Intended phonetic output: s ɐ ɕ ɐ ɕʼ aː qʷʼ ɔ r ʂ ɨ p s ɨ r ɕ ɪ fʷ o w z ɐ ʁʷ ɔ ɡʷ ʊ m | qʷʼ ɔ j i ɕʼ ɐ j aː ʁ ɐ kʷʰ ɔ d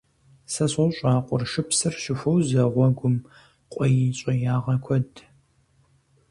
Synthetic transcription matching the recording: s ɐ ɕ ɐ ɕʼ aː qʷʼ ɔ r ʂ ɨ p s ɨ r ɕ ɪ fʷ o w z ɐ ʁʷ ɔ ɡʷ ʊ m | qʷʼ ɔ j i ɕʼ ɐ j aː ʁ ɐ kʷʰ ɔ d